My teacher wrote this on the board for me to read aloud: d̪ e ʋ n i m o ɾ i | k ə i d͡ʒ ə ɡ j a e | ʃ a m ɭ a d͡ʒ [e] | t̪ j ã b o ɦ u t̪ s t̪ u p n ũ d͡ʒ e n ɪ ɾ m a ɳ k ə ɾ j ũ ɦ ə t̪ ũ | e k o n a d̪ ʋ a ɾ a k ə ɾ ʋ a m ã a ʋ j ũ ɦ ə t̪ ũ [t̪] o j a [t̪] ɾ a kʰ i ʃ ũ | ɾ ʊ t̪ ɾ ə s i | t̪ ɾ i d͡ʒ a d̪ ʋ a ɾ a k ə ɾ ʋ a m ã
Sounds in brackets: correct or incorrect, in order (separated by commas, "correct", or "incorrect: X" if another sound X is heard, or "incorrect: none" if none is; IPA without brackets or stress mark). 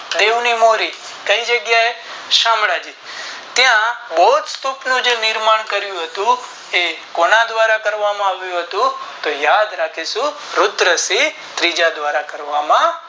incorrect: i, correct, incorrect: d̪